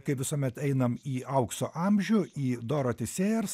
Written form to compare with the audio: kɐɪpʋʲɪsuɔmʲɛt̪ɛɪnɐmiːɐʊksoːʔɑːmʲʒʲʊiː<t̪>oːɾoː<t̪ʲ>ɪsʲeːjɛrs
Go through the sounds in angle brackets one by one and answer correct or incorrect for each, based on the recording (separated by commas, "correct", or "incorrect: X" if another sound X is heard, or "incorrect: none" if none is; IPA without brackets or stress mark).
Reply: incorrect: d̪, correct